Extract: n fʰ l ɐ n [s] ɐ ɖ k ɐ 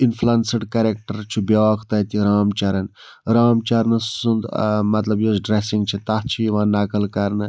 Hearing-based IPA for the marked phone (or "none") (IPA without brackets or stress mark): s